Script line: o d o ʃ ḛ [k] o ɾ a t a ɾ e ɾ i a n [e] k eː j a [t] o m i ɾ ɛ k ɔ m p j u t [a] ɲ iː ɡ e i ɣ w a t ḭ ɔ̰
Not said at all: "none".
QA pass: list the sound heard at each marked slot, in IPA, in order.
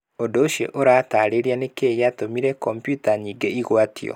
ʔ, e, t, a

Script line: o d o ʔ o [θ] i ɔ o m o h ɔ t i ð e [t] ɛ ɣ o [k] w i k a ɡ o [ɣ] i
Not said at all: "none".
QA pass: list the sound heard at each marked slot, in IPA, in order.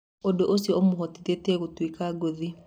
s, t, t, ð

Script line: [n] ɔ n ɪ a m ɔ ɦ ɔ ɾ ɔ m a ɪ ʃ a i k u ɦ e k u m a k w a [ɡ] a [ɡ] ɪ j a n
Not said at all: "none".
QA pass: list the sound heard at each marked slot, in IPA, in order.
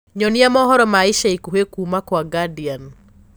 ɲ, ɡ, d

